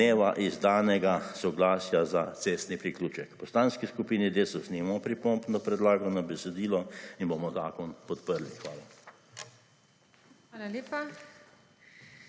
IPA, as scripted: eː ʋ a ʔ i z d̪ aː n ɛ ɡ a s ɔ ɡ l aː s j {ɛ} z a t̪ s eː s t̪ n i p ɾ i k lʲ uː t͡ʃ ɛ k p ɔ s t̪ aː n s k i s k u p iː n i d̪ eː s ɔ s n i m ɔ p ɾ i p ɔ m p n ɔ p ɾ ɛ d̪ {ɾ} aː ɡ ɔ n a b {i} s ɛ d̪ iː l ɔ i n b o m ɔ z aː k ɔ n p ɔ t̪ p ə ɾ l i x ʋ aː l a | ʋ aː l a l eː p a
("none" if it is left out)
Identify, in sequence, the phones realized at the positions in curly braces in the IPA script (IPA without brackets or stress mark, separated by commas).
a, l, ɛ